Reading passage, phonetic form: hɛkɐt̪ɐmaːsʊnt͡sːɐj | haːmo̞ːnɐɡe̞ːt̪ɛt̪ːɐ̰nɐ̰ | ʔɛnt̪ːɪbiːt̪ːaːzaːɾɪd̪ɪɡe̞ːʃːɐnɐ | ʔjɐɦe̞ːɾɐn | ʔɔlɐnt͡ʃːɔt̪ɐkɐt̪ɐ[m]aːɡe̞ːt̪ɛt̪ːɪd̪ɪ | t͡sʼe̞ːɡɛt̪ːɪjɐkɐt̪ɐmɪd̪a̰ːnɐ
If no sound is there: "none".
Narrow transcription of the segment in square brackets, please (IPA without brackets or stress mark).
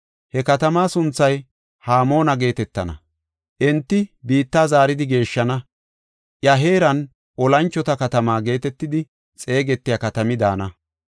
m